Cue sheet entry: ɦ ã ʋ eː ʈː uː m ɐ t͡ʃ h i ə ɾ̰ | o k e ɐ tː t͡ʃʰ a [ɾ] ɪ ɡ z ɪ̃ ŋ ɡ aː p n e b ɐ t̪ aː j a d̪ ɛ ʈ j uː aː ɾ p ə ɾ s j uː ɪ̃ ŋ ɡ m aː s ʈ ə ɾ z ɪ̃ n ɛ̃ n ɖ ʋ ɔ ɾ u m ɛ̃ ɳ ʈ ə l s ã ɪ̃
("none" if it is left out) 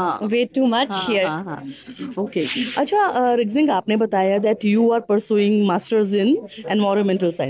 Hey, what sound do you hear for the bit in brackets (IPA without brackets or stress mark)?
ɾ